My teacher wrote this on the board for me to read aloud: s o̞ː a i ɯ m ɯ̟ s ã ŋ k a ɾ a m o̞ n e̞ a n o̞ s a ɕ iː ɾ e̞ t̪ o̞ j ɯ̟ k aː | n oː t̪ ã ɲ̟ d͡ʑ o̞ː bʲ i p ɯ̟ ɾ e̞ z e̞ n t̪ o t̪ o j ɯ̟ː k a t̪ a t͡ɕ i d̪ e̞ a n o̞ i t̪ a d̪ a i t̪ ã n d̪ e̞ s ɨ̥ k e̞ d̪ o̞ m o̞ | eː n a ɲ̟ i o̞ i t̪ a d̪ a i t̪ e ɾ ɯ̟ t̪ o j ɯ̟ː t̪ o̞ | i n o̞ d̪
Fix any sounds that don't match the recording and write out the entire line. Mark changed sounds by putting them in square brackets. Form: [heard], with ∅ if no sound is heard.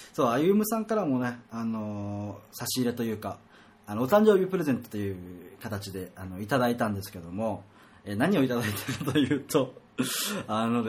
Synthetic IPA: s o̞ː a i ɯ m ɯ̟ s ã ŋ k a ɾ a m o̞ n e̞ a n o̞ s a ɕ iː ɾ e̞ t̪ o̞ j [ɯ̟ː] k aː | n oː t̪ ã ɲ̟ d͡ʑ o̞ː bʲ i p ɯ̟ ɾ e̞ z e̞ n t̪ o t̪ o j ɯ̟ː k a t̪ a t͡ɕ i d̪ e̞ a n o̞ i t̪ a d̪ a i t̪ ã n d̪ e̞ s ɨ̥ k e̞ d̪ o̞ m o̞ | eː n a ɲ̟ i o̞ i t̪ a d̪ a i t̪ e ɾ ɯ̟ t̪ o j ɯ̟ː t̪ o̞ | [a] n o̞ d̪